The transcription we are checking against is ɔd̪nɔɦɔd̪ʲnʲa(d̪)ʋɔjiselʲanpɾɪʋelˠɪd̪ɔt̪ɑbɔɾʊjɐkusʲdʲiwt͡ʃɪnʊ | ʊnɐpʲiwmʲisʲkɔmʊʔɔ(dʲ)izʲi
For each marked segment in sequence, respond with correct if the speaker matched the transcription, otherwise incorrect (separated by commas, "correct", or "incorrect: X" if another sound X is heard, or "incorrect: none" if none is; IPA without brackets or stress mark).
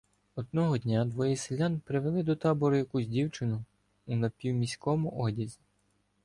correct, correct